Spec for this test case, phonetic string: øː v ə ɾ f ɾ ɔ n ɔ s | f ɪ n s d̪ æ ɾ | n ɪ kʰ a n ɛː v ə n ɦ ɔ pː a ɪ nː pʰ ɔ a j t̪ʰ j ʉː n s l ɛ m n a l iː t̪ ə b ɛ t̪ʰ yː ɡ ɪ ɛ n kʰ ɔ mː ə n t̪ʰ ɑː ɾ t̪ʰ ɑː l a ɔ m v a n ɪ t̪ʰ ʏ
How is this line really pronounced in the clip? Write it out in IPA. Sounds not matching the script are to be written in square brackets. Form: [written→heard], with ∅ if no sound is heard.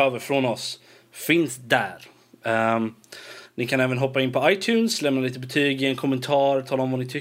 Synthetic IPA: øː v ə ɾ f ɾ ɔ n ɔ s | f ɪ n s d̪ æ ɾ | n ɪ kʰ a n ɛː v ə n ɦ ɔ pː a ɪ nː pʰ ɔ a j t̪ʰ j ʉː n s l ɛ m n a l iː t̪ ə b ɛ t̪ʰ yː ɡ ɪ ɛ n kʰ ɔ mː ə n t̪ʰ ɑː ɾ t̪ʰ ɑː l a ɔ m v a n ɪ t̪ʰ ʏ